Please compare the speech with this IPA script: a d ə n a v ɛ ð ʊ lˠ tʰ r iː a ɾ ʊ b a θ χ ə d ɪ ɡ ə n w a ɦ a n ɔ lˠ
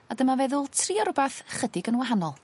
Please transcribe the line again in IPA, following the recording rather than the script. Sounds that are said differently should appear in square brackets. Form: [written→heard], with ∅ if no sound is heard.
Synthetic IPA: a d ə [n→m] a v ɛ ð ʊ lˠ tʰ r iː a ɾ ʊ b a θ χ ə d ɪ ɡ ə n w a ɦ a n ɔ lˠ